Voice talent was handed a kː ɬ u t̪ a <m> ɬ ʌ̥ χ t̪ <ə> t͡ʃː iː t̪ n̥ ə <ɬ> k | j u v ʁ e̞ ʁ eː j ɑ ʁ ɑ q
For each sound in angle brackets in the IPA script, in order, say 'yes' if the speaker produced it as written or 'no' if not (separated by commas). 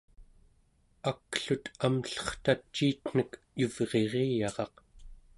yes, no, no